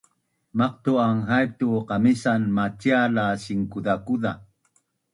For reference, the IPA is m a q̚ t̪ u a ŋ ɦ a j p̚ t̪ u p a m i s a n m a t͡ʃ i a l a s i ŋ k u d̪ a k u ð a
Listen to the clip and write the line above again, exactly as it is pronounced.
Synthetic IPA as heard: m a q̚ t̪ u a ŋ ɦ a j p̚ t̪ u q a m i s a n m a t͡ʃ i a l a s i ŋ k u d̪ a k u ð a